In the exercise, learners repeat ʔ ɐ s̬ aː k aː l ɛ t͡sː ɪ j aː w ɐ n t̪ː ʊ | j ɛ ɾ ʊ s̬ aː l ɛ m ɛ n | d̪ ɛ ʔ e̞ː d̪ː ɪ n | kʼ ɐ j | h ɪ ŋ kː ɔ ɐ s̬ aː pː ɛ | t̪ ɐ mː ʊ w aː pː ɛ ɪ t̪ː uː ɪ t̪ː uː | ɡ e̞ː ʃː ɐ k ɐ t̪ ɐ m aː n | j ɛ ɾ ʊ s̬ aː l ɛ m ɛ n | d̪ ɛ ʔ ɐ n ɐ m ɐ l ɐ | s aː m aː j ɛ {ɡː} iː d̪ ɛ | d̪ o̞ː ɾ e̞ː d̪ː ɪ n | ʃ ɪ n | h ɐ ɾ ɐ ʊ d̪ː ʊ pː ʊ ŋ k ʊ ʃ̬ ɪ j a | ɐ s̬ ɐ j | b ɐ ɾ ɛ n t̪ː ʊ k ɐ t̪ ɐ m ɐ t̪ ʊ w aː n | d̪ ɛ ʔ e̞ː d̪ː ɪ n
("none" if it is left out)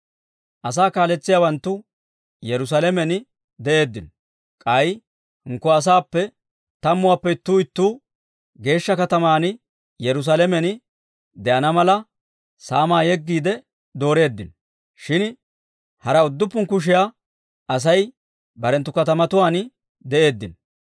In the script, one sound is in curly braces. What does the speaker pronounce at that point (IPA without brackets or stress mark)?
ɡː